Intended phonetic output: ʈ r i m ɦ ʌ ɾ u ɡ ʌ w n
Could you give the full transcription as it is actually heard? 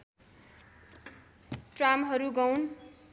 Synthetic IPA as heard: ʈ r a m ɦ ʌ ɾ u ɡ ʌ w n